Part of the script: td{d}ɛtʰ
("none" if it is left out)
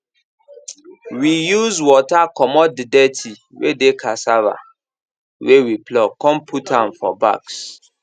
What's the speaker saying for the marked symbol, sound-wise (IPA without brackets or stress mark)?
d